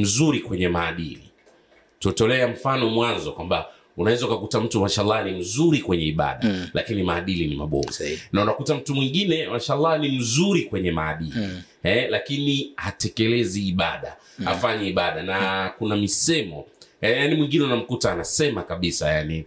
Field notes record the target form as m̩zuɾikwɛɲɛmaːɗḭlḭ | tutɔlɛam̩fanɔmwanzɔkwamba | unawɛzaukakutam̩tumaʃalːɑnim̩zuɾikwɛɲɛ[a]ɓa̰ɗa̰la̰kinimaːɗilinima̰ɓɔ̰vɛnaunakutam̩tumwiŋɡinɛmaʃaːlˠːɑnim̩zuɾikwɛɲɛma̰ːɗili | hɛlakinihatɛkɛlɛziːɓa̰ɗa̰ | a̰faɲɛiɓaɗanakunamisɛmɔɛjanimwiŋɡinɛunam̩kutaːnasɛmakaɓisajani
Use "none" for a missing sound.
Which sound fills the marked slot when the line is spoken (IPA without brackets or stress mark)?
i